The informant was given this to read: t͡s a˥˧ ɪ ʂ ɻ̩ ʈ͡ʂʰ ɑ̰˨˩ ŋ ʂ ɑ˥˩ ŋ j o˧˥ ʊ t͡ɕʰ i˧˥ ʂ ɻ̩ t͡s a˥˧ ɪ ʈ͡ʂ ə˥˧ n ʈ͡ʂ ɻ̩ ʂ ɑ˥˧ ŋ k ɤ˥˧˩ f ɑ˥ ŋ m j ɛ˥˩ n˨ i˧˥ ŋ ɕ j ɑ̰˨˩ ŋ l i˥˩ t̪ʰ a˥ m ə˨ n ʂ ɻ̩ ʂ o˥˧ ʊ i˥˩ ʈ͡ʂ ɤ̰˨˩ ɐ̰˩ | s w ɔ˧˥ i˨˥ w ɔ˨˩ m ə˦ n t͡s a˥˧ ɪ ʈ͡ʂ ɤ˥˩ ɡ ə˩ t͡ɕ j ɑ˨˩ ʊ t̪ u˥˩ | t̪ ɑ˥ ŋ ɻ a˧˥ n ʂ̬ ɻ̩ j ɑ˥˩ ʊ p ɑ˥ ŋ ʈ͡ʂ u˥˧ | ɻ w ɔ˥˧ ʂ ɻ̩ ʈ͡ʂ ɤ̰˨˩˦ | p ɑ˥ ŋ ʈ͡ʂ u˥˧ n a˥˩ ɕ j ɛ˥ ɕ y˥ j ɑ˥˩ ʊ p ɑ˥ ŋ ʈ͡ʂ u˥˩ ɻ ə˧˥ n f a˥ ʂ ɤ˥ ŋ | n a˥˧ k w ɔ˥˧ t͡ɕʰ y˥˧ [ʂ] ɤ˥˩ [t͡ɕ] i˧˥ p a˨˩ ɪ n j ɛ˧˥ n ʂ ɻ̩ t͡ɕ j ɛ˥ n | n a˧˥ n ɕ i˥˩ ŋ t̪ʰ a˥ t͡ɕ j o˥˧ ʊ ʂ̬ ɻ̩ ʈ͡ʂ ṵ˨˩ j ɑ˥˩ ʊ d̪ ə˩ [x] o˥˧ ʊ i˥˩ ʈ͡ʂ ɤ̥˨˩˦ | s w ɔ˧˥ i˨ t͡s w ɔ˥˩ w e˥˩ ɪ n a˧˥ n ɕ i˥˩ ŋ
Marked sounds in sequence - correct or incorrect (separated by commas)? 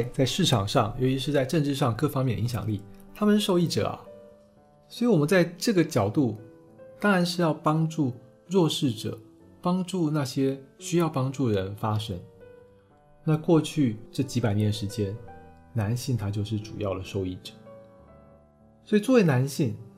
incorrect, correct, incorrect